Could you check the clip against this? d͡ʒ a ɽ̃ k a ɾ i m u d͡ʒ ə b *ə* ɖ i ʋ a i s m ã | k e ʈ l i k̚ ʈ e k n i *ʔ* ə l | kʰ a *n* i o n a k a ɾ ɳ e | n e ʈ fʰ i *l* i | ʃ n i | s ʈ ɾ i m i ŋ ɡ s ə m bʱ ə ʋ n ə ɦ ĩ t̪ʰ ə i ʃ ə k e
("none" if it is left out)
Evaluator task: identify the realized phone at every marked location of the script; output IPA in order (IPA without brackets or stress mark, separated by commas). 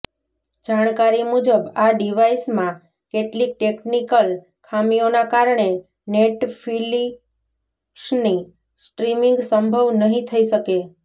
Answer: a, k, m, l